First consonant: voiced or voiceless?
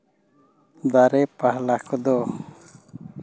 voiced